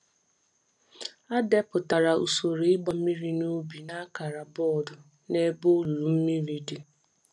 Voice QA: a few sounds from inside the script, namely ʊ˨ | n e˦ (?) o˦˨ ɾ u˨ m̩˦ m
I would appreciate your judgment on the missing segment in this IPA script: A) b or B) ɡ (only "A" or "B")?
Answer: A